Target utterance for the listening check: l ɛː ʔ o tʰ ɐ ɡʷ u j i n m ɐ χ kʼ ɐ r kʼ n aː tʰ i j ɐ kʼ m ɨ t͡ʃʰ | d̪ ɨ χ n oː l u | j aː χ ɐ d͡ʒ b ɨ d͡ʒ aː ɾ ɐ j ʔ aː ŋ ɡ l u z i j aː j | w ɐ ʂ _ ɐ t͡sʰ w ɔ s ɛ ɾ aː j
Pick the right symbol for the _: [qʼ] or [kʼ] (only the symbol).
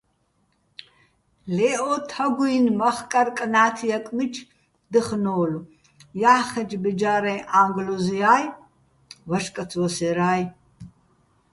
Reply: kʼ